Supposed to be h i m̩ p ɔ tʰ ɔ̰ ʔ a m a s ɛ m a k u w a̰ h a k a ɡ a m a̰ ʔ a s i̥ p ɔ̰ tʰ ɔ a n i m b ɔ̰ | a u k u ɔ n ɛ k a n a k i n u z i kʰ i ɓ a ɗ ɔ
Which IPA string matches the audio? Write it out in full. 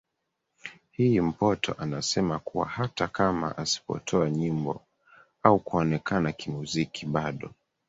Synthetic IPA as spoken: h i m̩ p ɔ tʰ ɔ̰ ʔ a n a s ɛ m a k u w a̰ h a t a k a m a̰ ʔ a s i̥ p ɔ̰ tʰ ɔ a ɲ i m b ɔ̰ | a u k u ɔ n ɛ k a n a k i m u z i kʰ i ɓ a ɗ ɔ